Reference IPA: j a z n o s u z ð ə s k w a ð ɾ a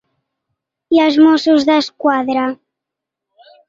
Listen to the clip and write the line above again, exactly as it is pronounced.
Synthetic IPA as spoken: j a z m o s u z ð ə s k w a ð ɾ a